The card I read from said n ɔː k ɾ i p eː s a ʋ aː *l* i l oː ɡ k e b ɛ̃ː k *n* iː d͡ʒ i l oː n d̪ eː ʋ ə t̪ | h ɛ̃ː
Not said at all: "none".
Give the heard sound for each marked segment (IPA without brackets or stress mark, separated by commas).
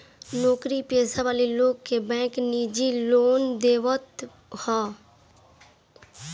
l, n